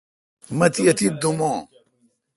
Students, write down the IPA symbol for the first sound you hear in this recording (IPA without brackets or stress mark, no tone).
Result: m